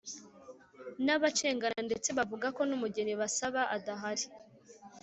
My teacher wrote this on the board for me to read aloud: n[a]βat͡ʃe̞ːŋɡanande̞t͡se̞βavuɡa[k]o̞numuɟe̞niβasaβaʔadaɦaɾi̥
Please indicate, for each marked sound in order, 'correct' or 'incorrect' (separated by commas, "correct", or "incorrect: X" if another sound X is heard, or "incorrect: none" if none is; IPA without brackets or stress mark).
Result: correct, correct